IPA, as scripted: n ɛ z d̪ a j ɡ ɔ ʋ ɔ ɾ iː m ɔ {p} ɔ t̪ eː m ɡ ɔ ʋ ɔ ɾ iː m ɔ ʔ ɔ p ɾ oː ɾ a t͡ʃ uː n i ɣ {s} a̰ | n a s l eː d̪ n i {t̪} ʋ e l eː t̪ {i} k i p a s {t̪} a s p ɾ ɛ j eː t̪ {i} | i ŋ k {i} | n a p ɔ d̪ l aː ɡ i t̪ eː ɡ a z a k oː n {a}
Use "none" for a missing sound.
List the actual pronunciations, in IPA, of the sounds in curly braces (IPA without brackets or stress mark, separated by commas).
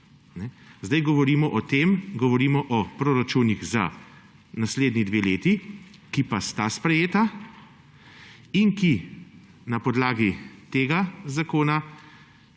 ʔ, z, d̪, i, t̪, a, i, a